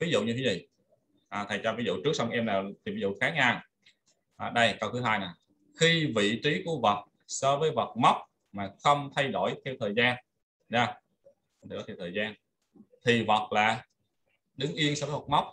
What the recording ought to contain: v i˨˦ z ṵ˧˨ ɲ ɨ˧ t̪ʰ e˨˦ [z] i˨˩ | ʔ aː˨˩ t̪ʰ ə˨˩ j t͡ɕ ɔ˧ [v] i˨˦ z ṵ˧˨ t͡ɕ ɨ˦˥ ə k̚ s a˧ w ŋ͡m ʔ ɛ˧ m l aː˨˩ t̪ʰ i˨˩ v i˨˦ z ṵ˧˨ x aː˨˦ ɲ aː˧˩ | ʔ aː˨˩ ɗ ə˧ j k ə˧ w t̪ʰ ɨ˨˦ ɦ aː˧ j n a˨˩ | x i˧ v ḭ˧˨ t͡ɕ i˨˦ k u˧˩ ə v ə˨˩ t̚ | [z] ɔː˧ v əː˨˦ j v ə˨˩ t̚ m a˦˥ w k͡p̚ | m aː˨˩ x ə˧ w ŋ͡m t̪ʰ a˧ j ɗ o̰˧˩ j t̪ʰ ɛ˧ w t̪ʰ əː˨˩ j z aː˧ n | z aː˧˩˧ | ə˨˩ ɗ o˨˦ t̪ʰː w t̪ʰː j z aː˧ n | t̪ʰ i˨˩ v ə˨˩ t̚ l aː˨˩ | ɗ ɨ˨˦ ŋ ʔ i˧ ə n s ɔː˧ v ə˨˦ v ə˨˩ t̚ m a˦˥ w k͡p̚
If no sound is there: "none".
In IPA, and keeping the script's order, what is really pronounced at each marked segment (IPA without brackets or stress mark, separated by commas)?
z, v, s